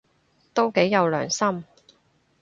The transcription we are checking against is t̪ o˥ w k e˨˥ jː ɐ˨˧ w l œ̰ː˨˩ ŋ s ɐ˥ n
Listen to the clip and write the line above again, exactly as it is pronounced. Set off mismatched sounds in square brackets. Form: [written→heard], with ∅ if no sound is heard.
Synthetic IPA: t̪ o˥ w k e˨˥ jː ɐ˨˧ w l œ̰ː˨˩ ŋ s ɐ˥ [n→m]